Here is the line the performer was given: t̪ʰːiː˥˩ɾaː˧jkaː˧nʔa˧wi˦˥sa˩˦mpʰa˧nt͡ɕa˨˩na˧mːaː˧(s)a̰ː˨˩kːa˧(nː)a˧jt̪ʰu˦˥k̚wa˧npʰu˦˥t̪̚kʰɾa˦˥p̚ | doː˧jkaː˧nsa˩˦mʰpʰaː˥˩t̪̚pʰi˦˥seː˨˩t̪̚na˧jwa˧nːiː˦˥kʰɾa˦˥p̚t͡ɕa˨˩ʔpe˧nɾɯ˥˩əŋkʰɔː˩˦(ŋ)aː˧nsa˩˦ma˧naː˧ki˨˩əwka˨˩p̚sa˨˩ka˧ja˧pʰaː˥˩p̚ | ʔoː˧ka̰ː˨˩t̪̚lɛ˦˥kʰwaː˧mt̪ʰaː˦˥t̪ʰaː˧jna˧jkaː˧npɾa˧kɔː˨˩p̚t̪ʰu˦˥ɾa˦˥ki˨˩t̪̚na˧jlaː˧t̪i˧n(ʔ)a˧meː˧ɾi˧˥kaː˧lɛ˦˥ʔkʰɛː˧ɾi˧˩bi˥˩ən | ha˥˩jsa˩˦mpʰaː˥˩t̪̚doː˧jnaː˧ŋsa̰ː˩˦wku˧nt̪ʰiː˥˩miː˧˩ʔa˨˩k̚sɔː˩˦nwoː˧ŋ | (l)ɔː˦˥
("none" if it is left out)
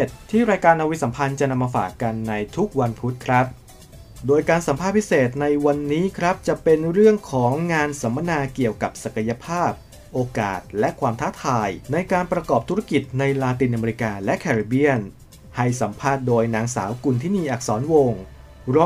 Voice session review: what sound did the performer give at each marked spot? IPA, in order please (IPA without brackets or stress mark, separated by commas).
f, nː, ŋː, ʔ, ɾ